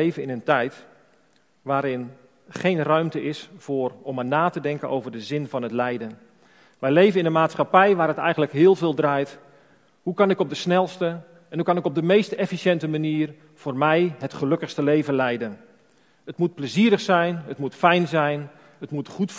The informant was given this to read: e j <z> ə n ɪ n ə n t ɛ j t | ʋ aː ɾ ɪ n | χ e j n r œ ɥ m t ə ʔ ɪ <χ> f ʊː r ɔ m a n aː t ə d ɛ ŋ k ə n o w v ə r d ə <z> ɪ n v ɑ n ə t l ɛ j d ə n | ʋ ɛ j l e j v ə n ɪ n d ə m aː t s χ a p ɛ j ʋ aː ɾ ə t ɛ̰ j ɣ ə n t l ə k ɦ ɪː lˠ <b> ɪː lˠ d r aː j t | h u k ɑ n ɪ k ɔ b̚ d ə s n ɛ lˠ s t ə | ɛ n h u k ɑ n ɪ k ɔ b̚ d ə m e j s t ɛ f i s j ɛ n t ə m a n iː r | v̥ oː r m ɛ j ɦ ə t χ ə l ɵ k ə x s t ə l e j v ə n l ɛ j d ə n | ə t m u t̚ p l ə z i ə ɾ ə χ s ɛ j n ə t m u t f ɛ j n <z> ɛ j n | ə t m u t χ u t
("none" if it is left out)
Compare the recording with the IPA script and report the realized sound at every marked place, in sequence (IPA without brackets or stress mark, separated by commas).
v, s, z, v, z